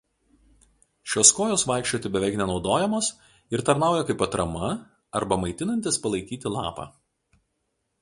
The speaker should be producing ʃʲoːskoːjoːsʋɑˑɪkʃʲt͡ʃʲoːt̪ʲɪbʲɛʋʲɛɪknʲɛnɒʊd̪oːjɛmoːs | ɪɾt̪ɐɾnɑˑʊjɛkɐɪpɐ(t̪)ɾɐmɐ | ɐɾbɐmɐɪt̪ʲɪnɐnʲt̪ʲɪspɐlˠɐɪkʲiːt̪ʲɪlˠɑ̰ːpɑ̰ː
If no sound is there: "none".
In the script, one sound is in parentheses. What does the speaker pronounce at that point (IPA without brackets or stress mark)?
t̪